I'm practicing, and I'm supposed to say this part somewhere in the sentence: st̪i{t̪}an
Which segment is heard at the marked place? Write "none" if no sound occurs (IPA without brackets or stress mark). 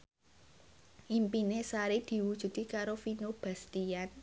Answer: none